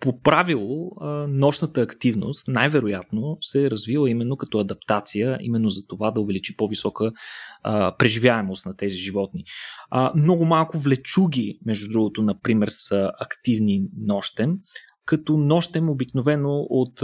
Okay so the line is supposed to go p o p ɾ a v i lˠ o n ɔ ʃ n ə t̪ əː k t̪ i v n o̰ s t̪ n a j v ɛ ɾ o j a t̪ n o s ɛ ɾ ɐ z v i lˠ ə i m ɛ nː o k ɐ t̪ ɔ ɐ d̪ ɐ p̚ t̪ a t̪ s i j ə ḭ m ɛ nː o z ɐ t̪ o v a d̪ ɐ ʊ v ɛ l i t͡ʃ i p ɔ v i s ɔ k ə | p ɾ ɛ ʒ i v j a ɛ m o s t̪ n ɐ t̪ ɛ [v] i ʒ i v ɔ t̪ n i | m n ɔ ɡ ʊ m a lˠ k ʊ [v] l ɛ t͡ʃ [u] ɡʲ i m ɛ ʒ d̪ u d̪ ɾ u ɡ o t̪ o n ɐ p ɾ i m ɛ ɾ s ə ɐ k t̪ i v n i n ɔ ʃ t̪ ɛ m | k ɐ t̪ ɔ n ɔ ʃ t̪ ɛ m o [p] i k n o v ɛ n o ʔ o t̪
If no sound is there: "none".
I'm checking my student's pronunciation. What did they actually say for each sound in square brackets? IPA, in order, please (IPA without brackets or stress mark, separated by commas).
z, v, u, b